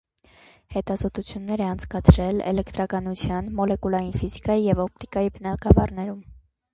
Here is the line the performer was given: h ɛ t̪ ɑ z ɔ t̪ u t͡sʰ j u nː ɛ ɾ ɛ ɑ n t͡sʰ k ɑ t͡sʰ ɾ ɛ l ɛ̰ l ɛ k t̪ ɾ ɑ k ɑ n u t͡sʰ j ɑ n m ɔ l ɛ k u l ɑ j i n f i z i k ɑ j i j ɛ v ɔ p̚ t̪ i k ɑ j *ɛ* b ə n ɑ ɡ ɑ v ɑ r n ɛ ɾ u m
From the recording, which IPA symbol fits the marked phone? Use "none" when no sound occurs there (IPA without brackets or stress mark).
i